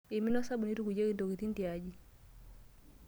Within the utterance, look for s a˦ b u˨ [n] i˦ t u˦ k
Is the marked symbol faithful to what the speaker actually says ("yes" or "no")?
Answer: yes